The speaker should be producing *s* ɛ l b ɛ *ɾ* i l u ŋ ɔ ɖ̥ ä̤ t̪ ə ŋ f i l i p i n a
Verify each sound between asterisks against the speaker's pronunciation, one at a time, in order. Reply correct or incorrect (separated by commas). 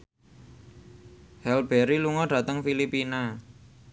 incorrect, correct